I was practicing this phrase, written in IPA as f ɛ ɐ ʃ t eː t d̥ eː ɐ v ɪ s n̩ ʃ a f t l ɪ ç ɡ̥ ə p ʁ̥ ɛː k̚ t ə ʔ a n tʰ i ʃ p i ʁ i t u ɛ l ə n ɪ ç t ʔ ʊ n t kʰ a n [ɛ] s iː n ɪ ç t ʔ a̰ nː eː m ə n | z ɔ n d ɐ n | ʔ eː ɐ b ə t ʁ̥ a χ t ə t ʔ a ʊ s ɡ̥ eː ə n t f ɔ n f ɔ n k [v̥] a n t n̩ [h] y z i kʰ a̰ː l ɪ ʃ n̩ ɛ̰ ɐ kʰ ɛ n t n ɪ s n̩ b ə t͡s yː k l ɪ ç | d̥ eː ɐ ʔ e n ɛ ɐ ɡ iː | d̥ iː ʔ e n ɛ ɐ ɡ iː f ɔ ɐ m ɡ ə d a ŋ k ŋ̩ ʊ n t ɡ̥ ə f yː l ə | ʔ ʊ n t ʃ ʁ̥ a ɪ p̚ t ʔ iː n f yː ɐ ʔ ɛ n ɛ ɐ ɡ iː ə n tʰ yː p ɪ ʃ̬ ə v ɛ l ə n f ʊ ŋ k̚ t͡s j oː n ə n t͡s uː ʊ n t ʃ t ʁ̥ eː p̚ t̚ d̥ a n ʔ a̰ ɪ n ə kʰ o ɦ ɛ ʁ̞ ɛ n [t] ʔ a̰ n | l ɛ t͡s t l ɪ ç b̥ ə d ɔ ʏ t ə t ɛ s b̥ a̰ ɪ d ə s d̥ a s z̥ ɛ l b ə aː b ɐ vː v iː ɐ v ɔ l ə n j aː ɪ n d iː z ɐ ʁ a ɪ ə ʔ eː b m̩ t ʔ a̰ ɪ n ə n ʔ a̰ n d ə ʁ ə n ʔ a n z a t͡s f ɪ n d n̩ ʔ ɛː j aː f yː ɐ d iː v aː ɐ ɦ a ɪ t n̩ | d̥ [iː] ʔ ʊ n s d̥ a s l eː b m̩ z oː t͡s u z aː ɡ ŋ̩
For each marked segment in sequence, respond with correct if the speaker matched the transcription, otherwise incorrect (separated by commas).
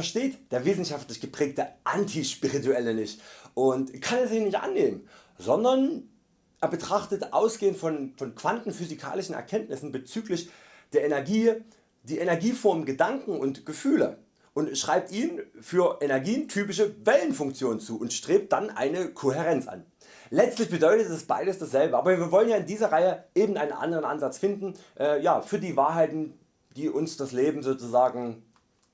correct, correct, incorrect, incorrect, correct